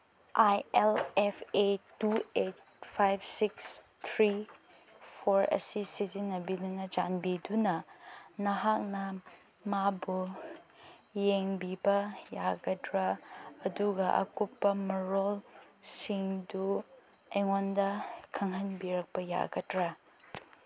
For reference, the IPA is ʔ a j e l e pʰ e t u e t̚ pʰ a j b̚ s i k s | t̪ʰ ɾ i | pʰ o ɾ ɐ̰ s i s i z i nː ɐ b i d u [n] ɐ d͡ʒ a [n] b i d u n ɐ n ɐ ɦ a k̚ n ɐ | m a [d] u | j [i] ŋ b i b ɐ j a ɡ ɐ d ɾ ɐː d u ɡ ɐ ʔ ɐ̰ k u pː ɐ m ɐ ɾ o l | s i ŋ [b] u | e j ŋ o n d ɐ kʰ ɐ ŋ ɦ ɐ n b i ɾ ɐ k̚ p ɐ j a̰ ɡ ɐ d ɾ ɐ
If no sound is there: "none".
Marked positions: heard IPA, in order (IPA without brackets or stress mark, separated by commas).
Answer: n, n, b, e, d